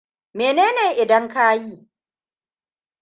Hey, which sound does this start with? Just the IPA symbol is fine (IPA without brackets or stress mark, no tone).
m